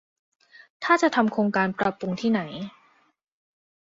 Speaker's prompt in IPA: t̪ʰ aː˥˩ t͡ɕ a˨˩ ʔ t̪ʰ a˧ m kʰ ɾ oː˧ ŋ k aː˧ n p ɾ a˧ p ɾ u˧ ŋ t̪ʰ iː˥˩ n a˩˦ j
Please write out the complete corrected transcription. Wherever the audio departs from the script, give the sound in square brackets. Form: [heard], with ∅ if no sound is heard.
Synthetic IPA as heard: t̪ʰ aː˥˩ t͡ɕ a˨˩ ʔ t̪ʰ a˧ m kʰ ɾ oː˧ ŋ k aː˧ n p ɾ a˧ p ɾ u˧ ŋ t̪ʰ iː˥˩ n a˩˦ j